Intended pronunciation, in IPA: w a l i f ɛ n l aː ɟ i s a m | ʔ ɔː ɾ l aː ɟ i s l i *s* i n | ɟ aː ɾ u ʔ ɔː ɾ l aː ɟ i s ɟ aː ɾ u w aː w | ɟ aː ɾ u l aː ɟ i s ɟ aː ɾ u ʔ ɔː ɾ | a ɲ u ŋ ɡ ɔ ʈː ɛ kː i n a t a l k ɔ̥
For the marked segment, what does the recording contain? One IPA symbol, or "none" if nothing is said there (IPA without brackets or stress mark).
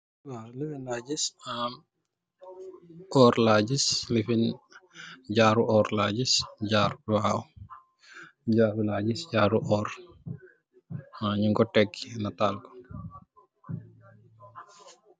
f